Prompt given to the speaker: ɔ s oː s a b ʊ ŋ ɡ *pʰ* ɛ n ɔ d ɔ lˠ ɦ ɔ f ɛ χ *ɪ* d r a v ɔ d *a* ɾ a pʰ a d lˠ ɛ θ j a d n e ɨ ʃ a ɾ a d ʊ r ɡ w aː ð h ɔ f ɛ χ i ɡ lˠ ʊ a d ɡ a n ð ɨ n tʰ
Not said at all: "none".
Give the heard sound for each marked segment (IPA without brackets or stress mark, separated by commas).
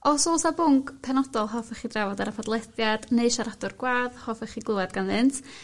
pʰ, i, a